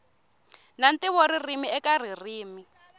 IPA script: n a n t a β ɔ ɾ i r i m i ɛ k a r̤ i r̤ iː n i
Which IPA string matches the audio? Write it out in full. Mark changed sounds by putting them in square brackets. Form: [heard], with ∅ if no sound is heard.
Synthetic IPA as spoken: n a n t [i] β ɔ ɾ i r i m i ɛ k a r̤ i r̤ iː [m] i